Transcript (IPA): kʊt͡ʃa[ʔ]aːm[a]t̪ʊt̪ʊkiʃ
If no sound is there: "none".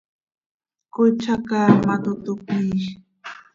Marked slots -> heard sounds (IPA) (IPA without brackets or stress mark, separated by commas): k, a